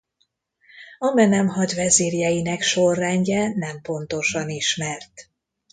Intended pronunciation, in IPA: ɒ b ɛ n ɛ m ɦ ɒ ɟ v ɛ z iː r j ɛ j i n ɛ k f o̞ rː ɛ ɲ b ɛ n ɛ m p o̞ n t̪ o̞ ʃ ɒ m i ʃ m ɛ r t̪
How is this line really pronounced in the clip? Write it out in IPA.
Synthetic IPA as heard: ɒ m ɛ n ɛ m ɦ ɒ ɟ v ɛ z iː r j ɛ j i n ɛ k ʃ o̞ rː ɛ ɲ ɟ ɛ n ɛ m p o̞ n t̪ o̞ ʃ ɒ n i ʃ m ɛ r t̪